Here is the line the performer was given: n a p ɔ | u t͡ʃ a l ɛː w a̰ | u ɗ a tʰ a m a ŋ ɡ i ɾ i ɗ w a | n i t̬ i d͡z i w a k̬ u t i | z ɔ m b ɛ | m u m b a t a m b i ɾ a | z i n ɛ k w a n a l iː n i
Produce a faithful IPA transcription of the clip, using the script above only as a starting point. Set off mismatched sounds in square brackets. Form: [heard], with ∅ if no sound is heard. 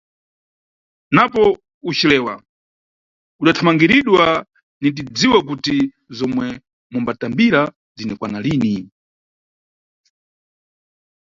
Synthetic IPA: n a p ɔ | u t͡ʃ [i] l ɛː w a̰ | u ɗ a tʰ a m a ŋ ɡ i ɾ i ɗ w a | n i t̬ i d͡z i w a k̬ u t i | z ɔ m [w] ɛ | m u m b a t a m b i ɾ a | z i n ɛ k w a n a l iː n i